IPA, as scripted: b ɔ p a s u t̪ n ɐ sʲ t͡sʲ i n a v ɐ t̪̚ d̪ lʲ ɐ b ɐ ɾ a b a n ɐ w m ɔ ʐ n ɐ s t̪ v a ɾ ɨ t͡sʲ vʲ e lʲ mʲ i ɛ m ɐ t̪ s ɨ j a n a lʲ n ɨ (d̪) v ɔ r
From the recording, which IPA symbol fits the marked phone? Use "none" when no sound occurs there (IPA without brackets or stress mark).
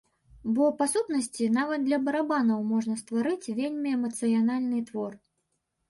t̪